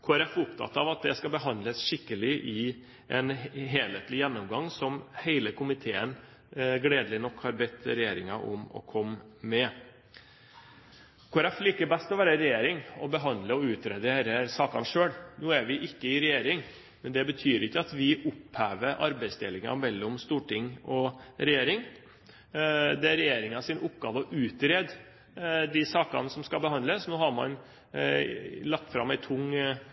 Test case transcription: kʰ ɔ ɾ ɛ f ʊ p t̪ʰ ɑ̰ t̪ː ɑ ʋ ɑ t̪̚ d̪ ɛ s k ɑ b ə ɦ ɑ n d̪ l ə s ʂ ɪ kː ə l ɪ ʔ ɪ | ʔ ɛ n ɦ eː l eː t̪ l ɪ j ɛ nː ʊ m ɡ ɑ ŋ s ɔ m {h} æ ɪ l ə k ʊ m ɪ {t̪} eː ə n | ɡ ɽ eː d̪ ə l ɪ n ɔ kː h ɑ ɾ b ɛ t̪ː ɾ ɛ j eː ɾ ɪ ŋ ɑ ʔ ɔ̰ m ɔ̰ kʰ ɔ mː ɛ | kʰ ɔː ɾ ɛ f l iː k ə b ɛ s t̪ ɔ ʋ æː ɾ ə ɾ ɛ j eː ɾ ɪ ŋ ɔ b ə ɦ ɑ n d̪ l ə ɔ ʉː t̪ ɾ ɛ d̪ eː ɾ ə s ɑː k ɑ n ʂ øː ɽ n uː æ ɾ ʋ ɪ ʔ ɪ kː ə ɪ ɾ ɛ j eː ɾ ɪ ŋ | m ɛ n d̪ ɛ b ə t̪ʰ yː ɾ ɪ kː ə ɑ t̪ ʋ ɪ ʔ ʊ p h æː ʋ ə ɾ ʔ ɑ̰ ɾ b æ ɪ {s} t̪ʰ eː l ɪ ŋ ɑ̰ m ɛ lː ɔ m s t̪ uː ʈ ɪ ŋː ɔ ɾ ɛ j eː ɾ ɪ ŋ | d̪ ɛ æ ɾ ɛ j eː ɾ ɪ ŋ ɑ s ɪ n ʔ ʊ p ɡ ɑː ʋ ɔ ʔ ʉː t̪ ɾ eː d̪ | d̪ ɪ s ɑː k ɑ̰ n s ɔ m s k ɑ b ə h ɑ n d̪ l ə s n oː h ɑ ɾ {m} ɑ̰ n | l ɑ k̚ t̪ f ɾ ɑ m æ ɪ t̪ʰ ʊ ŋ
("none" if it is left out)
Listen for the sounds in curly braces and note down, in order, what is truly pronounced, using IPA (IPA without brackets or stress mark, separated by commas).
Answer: h, t̪ʰ, s, m